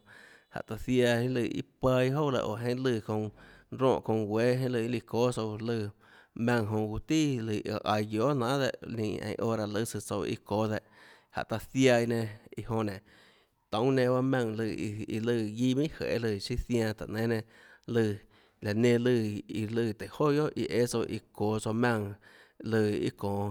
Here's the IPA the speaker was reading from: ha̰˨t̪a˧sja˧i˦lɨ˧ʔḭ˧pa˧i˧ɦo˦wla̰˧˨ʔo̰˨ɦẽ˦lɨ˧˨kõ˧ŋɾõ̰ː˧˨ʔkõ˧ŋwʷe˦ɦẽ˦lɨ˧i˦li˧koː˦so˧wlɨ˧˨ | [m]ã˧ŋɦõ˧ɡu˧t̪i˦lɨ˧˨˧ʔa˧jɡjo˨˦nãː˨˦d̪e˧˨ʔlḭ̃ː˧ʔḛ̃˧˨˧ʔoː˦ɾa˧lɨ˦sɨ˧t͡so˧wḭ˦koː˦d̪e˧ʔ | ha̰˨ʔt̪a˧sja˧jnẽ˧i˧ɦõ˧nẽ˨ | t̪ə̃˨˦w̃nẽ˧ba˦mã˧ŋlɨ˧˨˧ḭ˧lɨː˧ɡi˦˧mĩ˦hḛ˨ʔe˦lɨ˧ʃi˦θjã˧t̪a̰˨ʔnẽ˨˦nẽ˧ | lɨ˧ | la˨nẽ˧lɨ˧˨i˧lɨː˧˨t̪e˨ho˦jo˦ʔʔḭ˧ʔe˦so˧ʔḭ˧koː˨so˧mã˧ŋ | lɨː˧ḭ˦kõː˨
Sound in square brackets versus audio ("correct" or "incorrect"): correct